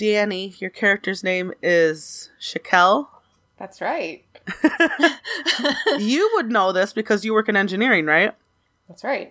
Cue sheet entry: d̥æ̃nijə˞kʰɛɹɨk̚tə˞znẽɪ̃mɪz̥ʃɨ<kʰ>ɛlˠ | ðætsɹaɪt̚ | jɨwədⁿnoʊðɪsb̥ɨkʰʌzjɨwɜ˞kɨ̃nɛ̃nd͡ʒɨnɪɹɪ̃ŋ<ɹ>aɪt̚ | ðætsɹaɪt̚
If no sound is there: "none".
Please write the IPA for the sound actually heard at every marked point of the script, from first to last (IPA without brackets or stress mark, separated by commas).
kʰ, ɹ